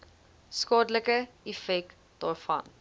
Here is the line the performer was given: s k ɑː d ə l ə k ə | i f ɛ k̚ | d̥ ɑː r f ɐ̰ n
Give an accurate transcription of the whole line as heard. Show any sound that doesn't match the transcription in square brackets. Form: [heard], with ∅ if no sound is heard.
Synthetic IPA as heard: s k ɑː d ə l ə k ə | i f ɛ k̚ | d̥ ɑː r f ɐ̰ n